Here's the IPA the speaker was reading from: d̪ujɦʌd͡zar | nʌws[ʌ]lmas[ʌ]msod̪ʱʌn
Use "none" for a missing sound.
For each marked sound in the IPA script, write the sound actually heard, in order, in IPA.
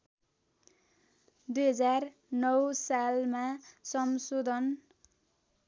a, ʌ

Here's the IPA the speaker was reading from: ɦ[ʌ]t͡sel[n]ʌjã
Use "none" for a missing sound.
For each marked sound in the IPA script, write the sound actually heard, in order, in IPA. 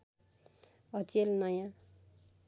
ʌ, n

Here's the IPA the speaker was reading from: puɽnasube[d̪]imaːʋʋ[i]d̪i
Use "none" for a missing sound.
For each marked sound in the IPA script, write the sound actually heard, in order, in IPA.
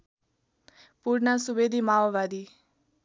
d̪, a

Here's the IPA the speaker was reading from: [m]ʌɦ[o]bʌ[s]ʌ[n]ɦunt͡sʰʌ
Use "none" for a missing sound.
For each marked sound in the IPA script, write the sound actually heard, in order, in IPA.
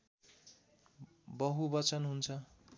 b, u, t͡s, n

